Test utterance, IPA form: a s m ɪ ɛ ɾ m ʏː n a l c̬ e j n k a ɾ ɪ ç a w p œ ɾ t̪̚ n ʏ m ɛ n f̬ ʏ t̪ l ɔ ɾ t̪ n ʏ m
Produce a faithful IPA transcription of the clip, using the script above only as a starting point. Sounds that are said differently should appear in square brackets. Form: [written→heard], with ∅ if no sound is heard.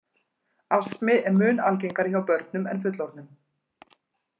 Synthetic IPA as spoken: a s m ɪ ɛ ɾ m ʏː n a l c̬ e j [n→ŋ] k a ɾ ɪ ç a w p œ ɾ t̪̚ n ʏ m ɛ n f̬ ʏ t̪ l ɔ ɾ t̪ n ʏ m